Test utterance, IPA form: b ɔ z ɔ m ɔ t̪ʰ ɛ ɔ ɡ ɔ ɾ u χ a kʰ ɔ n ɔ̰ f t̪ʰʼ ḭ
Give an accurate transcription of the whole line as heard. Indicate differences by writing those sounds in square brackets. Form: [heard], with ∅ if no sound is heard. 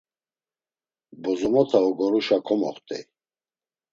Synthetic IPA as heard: b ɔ z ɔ m ɔ t̪ʰ [a] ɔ ɡ ɔ ɾ u [ʃ] a kʰ ɔ [m] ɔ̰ [χ] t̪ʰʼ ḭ

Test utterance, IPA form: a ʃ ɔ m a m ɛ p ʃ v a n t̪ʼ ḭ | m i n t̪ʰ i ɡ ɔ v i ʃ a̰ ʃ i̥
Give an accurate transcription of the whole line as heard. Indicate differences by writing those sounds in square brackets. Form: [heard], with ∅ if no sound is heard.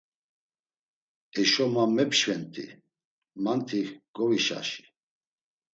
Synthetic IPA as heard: [ɛ] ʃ ɔ m a m ɛ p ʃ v [ɛ] n t̪ʼ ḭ | m [a] n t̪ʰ i ɡ ɔ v i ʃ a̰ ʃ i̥

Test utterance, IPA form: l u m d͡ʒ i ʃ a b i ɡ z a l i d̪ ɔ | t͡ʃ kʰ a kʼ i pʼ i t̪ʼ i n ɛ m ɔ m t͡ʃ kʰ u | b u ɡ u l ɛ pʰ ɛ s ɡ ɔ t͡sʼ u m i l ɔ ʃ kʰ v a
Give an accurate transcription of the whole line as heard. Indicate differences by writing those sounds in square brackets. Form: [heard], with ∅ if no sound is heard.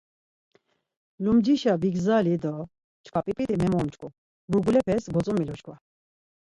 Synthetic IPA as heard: l u m d͡ʒ i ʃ a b i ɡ z a l i d̪ ɔ | t͡ʃ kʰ a [pʼ] i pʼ i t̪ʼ i [m] ɛ m ɔ m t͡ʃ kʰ u | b u ɡ u l ɛ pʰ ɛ s ɡ ɔ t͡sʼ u m i l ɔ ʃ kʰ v a

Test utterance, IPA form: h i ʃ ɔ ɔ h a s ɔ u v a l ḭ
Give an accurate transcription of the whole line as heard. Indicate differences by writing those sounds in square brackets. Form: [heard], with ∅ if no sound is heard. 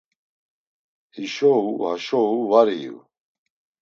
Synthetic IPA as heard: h i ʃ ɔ [u] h a [ʃ] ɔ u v a [ɾ] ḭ

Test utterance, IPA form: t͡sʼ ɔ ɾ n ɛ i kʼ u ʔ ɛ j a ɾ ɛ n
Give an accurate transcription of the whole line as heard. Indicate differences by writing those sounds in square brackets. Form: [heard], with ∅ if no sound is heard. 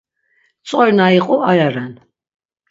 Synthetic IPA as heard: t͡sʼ ɔ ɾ n [a] i [qʼ] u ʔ [a] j a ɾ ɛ n

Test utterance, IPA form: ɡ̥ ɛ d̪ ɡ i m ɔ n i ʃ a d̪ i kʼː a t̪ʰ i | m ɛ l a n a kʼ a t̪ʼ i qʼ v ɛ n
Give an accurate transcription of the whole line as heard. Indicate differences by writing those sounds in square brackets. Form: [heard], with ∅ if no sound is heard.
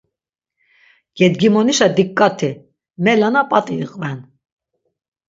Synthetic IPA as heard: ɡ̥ ɛ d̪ ɡ i m ɔ n i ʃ a d̪ i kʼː a t̪ʰ i | m ɛ l a n a [pʼ] a t̪ʼ i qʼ v ɛ n

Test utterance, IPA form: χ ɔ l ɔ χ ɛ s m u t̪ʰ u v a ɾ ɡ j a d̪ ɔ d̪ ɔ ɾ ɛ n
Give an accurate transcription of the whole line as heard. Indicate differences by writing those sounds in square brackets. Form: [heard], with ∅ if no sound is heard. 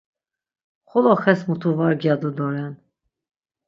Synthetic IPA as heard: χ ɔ l ɔ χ ɛ s m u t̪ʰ u v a ɾ ɡ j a d̪ [u] d̪ ɔ ɾ ɛ n

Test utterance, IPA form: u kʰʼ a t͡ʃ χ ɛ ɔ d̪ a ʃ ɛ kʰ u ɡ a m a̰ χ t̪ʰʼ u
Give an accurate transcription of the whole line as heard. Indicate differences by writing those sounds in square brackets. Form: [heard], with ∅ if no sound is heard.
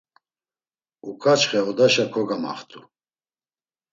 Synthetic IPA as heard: u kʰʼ a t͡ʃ χ ɛ ɔ d̪ a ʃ [a] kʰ [ɔ] ɡ a m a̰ χ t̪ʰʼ u

